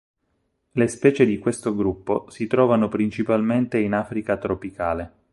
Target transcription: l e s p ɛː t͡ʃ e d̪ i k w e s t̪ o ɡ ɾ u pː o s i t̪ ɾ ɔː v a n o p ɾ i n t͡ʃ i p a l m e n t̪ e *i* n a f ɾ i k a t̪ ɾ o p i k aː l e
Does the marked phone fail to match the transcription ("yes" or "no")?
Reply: no